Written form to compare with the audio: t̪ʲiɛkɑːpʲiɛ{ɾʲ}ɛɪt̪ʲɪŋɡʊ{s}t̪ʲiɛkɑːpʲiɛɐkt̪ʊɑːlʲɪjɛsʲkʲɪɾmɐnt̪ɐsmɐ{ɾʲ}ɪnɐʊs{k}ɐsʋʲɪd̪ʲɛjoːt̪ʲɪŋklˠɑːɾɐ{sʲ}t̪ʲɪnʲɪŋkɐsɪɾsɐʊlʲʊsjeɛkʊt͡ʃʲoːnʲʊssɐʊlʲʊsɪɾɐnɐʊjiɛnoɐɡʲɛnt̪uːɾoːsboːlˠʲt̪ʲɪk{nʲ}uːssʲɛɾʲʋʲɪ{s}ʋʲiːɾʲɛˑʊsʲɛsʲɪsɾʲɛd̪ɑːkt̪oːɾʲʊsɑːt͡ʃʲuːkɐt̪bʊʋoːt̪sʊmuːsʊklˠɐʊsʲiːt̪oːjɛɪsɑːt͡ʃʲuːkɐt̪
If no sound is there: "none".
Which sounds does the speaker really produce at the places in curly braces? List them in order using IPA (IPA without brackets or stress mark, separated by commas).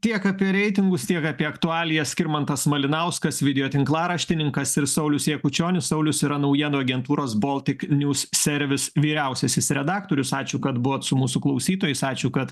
ɾʲ, s, lʲ, k, ʃʲ, nʲ, s